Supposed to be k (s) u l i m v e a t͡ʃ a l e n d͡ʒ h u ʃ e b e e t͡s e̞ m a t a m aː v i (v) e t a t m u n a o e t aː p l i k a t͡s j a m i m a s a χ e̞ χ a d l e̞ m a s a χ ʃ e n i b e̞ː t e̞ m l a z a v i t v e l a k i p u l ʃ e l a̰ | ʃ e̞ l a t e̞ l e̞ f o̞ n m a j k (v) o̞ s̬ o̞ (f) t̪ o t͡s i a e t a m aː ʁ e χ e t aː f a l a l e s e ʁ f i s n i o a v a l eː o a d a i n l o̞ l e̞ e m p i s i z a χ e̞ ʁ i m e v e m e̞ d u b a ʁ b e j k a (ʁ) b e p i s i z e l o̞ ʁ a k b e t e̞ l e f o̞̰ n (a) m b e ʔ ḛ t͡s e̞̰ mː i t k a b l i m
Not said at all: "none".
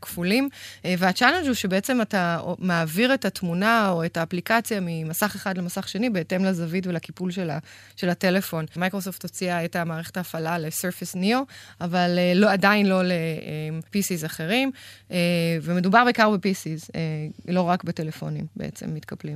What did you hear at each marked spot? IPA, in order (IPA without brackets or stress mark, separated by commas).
f, ʁ, ʁ, f, ʁ, i